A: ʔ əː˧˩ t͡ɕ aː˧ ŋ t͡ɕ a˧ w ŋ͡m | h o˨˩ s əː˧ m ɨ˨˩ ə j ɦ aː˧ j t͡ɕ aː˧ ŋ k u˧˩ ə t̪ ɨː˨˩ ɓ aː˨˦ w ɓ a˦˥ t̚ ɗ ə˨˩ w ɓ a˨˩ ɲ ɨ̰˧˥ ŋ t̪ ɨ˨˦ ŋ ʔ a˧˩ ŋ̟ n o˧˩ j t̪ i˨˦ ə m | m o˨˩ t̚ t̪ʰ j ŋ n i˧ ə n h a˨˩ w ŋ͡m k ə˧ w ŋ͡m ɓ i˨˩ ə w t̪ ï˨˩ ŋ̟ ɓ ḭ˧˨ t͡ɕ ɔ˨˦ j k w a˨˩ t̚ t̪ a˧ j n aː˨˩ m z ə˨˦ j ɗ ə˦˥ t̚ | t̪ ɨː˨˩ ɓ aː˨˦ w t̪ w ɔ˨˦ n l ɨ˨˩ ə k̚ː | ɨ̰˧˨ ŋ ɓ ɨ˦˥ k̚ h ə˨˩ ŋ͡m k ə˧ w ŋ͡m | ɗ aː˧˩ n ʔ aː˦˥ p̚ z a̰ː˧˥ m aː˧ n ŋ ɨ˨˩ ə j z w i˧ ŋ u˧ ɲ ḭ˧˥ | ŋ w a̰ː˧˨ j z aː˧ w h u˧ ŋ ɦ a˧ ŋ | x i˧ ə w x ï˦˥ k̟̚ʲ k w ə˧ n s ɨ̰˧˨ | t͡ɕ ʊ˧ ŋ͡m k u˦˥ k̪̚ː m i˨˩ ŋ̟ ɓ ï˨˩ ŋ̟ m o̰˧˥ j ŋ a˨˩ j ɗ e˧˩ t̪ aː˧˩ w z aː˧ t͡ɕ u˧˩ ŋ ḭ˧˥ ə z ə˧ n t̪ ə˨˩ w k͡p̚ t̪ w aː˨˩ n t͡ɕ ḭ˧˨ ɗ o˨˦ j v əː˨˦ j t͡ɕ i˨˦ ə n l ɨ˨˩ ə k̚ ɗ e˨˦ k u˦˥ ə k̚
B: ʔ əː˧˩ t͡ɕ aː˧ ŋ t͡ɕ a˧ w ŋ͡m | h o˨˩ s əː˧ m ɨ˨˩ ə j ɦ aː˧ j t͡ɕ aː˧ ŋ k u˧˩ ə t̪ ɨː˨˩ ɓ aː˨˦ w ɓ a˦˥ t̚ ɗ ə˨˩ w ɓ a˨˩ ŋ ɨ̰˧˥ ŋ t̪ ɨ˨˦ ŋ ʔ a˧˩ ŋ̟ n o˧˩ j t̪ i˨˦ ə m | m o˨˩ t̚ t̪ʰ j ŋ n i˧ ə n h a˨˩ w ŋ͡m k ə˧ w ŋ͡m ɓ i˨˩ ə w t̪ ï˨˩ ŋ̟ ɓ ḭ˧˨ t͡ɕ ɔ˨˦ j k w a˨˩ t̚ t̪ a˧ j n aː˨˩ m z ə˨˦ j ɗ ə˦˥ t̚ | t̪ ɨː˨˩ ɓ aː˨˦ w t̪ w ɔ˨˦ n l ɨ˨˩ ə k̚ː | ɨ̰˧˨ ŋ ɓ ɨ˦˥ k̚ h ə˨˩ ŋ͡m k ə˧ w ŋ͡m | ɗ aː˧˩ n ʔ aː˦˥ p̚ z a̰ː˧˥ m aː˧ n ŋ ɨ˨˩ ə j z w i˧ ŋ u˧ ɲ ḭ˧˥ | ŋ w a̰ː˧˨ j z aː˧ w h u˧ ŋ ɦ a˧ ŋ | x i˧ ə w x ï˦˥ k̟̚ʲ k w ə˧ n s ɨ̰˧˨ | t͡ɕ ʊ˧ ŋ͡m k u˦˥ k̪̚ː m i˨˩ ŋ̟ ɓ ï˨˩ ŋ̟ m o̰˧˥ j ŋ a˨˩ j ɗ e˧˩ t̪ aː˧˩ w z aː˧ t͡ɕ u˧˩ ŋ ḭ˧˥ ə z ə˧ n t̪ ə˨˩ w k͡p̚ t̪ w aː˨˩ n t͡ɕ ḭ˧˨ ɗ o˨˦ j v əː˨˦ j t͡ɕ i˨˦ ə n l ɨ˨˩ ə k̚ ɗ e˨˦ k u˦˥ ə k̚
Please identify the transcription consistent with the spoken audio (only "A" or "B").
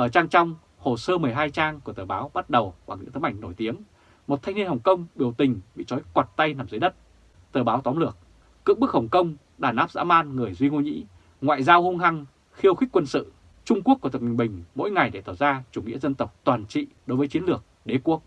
B